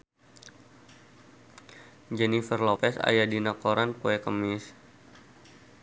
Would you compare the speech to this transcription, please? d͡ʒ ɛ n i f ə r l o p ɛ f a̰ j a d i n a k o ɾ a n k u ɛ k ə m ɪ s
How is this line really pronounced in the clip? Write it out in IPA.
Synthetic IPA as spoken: d͡ʒ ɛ n i f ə r l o p ɛ s a̰ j a d i n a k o ɾ a n k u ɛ k ə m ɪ s